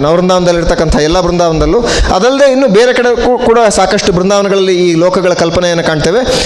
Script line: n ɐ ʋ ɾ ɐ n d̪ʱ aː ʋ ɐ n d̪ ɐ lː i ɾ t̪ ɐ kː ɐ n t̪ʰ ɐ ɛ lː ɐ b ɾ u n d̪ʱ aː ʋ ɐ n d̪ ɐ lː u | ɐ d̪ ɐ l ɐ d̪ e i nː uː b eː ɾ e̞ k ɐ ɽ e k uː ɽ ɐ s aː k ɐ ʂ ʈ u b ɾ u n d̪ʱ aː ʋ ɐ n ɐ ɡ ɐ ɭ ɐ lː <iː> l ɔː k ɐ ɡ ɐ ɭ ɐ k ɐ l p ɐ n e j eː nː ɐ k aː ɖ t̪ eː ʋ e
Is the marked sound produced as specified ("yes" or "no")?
yes